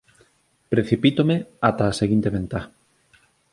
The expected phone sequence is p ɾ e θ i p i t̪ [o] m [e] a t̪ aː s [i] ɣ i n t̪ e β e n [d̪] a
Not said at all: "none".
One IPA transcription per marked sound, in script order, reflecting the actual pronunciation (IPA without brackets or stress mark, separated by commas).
o, e, e, t̪